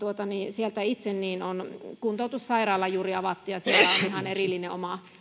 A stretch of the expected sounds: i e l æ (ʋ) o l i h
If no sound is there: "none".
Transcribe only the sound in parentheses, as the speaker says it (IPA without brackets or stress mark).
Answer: none